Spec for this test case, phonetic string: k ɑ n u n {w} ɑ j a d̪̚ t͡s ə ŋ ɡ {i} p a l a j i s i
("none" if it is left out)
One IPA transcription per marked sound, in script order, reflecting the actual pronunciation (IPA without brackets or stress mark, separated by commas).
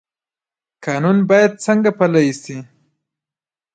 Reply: b, a